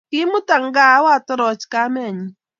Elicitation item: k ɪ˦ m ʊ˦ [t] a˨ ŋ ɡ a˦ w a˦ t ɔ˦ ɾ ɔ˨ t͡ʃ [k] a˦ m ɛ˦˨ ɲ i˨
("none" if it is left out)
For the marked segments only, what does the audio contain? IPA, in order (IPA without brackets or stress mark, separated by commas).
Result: t, k